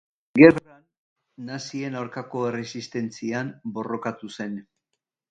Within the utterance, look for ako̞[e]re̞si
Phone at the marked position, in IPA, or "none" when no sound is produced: e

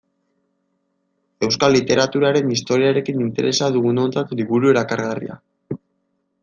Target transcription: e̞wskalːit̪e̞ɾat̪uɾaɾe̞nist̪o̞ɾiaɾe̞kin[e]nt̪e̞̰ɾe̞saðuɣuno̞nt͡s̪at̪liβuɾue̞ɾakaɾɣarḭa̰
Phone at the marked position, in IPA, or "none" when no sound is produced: i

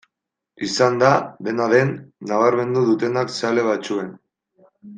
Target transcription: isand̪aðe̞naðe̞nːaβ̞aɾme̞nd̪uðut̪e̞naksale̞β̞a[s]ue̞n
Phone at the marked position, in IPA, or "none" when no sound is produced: t͡s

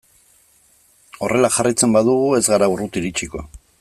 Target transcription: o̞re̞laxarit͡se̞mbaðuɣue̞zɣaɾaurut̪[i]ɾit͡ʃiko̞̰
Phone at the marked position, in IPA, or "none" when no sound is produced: i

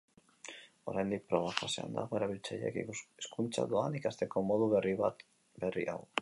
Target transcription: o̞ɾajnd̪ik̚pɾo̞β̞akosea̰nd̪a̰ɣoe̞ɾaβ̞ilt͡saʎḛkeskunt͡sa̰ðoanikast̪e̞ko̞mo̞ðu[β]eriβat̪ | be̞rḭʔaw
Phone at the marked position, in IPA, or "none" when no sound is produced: β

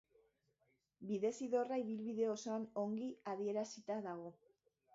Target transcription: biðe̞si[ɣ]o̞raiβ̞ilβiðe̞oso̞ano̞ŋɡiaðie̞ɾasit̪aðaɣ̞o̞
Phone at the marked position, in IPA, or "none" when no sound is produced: ð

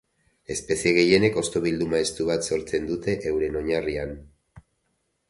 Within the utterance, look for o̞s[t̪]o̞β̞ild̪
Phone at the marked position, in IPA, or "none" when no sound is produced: t̪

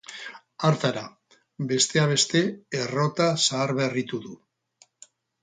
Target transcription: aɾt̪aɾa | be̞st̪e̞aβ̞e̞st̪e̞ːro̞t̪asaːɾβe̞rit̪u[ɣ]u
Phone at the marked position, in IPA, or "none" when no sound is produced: ð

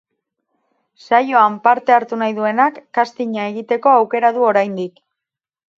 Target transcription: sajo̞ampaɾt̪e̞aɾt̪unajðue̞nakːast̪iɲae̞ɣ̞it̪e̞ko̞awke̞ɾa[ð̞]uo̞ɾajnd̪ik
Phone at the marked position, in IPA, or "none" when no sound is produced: ð̞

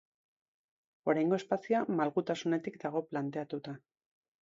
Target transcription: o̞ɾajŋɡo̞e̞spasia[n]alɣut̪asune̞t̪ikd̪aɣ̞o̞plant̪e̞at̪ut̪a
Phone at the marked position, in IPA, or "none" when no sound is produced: m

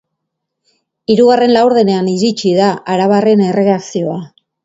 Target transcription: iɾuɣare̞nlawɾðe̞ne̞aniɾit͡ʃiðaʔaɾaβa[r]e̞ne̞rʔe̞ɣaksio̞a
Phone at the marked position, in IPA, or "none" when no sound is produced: r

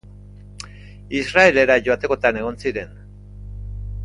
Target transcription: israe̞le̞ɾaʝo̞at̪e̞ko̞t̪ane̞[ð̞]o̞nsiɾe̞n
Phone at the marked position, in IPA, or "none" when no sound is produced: ɣ̞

